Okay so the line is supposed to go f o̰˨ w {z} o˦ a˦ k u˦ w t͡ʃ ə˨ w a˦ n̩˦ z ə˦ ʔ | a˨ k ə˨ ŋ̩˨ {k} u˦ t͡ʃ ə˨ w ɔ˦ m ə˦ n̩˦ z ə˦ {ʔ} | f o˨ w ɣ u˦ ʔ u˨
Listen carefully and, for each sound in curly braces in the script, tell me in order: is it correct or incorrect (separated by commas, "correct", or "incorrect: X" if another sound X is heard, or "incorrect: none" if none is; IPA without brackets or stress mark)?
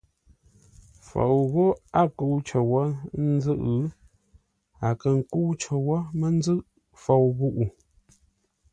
incorrect: ɣ, correct, correct